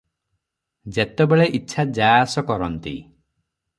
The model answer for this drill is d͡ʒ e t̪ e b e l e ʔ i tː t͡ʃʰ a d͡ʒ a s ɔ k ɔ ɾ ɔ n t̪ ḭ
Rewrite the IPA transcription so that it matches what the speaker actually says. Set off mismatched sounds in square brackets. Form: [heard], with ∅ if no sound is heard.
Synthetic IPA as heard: d͡ʒ e t̪ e b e [ɭ] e ʔ i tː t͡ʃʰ a d͡ʒ a s ɔ k ɔ ɾ ɔ n t̪ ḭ